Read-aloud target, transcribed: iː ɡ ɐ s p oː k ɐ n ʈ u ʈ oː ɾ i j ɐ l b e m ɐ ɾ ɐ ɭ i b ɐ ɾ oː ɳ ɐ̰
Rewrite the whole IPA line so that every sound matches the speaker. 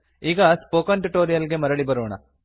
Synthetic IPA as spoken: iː ɡ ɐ s p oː k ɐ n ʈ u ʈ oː ɾ i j ɐ l ɡ e m ɐ ɾ ɐ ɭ i b ɐ ɾ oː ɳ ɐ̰